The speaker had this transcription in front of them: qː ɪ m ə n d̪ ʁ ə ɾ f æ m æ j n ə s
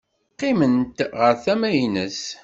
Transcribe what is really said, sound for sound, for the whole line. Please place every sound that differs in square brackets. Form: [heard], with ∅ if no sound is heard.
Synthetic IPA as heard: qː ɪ m ə n [t̪] ʁ ə ɾ [θ] æ m æ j n ə s